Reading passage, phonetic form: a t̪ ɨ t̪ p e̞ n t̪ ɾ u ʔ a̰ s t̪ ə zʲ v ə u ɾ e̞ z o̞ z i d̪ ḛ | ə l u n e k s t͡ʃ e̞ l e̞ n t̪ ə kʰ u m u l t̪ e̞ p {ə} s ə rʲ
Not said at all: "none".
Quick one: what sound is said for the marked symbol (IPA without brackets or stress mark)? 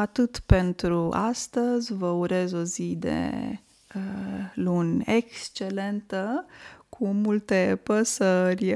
ə